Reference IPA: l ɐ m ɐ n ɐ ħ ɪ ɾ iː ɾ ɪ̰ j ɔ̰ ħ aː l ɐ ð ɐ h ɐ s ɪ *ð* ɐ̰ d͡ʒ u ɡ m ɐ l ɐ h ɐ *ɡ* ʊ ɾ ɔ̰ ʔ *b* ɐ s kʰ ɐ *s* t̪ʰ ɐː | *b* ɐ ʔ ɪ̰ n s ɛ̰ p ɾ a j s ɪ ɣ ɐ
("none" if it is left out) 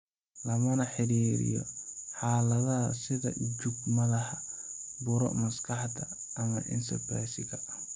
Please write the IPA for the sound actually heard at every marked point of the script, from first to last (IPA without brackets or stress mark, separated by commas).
ð, b, m, ħ, m